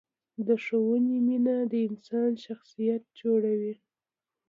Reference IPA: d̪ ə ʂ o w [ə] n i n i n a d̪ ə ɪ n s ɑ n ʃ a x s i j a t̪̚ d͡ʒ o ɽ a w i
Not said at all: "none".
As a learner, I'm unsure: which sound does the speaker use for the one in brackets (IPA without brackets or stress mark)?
ə